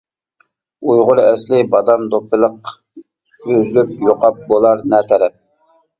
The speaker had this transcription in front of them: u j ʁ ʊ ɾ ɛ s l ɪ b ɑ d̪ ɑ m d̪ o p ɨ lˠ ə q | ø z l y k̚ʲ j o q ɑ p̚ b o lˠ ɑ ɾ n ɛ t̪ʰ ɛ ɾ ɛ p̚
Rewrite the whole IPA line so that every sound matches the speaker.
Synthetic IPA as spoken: u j ʁ ʊ ɾ ɛ s l ɪ b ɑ d̪ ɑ m d̪ o p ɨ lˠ ə q | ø z l y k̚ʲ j o q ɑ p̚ b o lˠ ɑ ɾ n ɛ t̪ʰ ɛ ɾ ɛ p̚